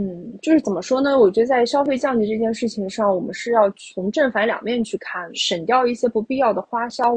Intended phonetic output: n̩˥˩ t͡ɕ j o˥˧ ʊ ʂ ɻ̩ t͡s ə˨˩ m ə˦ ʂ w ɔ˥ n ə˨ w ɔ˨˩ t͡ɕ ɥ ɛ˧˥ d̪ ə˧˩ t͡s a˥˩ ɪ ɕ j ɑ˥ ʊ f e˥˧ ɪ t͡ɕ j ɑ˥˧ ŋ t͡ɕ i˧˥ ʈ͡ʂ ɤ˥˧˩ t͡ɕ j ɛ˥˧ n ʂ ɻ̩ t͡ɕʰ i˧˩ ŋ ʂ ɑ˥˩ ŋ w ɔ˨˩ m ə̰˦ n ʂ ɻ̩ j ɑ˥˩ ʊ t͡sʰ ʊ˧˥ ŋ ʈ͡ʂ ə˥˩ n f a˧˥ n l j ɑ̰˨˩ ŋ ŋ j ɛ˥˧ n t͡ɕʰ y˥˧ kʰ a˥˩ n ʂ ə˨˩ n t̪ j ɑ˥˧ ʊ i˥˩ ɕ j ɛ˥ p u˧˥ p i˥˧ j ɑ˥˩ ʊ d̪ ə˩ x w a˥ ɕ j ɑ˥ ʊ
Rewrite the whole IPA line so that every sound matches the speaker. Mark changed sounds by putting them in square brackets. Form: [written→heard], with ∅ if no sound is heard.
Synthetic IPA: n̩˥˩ t͡ɕ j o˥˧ ʊ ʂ ɻ̩ t͡s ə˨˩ m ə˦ ʂ w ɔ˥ n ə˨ w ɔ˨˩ t͡ɕ ɥ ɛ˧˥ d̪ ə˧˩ t͡s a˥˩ ɪ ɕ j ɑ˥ ʊ f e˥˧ ɪ t͡ɕ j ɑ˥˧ ŋ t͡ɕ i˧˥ ʈ͡ʂ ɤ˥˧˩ t͡ɕ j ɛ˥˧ n ʂ ɻ̩ t͡ɕʰ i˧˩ ŋ ʂ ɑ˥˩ ŋ w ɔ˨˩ m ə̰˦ n ʂ ɻ̩ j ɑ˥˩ ʊ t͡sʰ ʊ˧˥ ŋ ʈ͡ʂ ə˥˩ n f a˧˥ n l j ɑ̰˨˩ ŋ [ŋ→m] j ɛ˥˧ n t͡ɕʰ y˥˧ kʰ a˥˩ n ʂ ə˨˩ n t̪ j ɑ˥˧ ʊ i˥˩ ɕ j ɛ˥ p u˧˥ p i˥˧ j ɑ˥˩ ʊ d̪ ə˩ x w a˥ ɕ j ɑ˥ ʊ